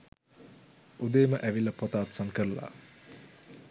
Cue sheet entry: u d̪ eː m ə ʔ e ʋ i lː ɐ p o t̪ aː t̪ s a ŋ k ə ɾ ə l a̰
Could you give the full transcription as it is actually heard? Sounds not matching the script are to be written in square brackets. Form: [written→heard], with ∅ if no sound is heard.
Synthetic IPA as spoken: u d̪ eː m ə ʔ [e→æ] ʋ i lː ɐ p o t̪ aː t̪ s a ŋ k ə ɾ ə l a̰